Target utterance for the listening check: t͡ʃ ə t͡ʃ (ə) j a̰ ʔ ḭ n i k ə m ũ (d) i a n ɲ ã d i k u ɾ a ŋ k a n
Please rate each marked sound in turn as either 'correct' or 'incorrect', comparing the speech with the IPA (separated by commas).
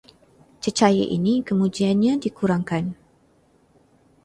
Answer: incorrect, incorrect